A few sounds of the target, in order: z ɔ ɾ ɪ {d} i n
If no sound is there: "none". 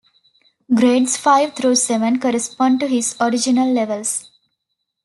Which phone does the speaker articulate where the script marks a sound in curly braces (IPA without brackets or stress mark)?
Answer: d͡ʒ